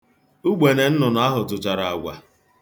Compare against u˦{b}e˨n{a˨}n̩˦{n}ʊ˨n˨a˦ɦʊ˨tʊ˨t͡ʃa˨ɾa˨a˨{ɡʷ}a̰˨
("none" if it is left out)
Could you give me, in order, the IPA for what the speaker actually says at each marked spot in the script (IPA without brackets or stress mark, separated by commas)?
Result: ɡ͡b, e˨, n, ɡʷ